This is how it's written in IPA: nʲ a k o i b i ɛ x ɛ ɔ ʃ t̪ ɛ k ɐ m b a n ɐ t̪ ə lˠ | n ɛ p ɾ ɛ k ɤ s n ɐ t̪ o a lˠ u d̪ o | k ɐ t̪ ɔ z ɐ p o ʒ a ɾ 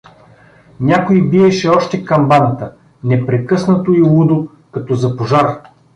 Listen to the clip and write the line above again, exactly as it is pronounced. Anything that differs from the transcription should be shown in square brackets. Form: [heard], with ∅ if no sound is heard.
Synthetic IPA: nʲ a k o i b i ɛ [ʃ] ɛ ɔ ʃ t̪ ɛ k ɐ m b a n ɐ t̪ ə [∅] | n ɛ p ɾ ɛ k ɤ s n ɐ t̪ o [i] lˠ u d̪ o | k ɐ t̪ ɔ z ɐ p o ʒ a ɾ